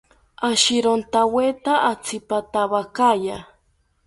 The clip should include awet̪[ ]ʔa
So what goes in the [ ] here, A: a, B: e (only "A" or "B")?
A